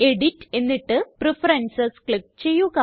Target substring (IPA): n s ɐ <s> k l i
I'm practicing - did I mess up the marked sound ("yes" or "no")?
no